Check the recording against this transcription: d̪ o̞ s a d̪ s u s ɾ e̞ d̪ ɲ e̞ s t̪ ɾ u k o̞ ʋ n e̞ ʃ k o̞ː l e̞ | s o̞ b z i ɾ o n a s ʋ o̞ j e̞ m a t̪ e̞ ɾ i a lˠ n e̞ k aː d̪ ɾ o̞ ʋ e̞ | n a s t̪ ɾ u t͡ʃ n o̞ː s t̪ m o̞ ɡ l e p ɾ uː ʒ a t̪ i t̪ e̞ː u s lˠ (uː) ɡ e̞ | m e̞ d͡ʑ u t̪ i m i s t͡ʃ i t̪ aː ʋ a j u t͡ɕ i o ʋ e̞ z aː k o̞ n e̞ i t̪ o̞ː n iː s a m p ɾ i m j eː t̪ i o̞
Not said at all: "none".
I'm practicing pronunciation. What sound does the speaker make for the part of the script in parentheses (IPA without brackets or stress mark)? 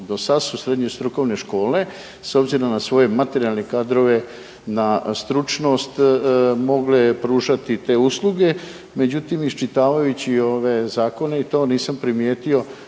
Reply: u